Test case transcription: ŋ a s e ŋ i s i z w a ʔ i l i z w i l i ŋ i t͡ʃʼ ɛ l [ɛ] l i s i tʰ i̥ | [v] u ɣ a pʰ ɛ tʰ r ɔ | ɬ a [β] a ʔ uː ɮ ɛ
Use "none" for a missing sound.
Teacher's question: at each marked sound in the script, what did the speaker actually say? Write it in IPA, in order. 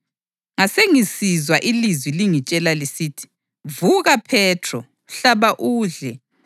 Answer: a, v, β

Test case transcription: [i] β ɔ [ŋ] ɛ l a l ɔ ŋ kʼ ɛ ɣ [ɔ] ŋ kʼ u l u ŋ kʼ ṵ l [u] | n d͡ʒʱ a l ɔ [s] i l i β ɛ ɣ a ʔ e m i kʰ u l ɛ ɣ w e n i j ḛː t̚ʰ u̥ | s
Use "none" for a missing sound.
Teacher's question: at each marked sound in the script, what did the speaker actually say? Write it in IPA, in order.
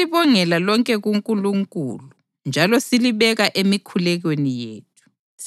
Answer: i, ŋ, u, u, s

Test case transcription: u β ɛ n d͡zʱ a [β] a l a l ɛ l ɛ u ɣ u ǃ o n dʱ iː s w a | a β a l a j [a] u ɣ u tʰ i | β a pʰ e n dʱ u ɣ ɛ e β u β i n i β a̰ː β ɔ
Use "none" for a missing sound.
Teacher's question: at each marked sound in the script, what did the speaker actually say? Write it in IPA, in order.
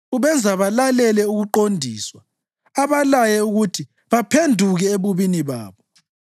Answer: β, ɛ

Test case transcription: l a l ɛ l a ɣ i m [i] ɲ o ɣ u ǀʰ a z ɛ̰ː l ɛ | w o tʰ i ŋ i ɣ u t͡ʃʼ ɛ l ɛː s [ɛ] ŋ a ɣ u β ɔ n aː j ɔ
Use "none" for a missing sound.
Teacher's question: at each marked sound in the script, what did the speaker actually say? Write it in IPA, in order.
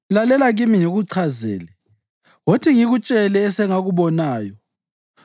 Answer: i, ɛ

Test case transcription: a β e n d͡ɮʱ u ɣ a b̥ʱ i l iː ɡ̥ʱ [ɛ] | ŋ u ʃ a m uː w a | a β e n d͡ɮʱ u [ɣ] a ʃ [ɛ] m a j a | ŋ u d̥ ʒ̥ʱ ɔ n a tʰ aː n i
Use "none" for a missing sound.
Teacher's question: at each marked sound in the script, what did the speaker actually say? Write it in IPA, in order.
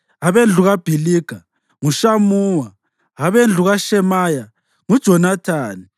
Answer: a, ɣ, ɛ

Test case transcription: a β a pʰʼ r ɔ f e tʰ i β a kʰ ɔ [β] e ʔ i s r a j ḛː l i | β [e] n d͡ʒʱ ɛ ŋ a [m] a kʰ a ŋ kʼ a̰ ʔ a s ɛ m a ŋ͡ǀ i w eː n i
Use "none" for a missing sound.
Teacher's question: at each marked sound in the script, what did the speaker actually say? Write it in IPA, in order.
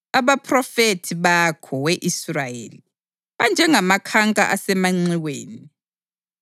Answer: w, a, m

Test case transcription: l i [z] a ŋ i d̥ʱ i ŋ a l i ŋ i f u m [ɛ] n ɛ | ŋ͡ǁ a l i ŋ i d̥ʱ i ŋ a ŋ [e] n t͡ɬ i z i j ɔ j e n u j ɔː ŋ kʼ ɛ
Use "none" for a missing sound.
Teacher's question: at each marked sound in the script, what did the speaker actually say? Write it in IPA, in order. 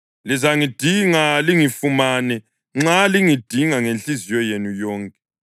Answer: z, a, e

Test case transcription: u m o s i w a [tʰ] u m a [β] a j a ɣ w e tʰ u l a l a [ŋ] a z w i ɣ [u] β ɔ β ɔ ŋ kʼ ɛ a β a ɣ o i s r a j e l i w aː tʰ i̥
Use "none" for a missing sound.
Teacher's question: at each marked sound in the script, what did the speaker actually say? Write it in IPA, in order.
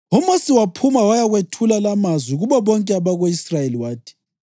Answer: pʰ, w, m, u

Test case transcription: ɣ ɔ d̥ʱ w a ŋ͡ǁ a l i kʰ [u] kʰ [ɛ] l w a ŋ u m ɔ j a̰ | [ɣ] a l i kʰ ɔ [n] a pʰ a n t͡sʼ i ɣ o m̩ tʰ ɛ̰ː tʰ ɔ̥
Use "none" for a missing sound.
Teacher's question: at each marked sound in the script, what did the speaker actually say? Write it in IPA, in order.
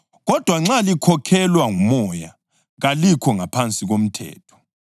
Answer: ɔ, ɛ, ɣ, ŋ

